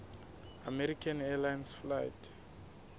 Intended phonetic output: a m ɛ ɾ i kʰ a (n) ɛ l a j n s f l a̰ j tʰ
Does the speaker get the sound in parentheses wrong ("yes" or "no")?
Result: no